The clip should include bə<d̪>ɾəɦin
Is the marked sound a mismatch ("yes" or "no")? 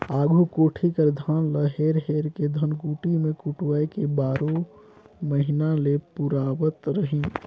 yes